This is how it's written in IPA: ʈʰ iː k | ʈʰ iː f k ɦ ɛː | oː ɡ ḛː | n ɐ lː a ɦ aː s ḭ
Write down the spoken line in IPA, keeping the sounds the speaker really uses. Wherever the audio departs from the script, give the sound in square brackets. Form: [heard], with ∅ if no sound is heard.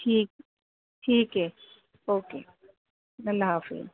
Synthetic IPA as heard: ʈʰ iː k | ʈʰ iː [∅] k ɦ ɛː | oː [k] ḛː | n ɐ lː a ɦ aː [f] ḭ

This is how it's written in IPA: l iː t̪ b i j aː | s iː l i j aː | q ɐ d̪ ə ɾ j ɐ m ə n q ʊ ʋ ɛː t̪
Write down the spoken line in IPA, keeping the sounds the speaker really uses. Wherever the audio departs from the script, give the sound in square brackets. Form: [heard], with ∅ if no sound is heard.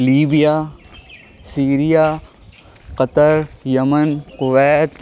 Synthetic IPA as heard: l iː [∅] b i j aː | s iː [ɾ] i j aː | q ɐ [t̪] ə ɾ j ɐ m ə n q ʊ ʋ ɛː t̪

